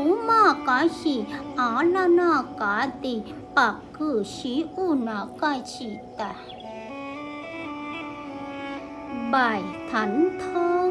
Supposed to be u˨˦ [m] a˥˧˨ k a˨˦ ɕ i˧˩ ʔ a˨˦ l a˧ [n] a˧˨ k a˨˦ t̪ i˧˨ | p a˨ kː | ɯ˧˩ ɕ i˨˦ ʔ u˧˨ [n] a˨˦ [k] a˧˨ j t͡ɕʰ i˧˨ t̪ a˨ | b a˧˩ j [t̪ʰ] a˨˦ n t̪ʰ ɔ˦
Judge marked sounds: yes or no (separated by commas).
yes, yes, yes, yes, yes